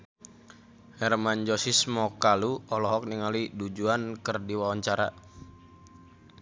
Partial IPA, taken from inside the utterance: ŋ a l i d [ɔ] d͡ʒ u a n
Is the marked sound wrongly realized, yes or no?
yes